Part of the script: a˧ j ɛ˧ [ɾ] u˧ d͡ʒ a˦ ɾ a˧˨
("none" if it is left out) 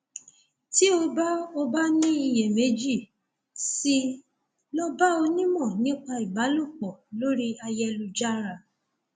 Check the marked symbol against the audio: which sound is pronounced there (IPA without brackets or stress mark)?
l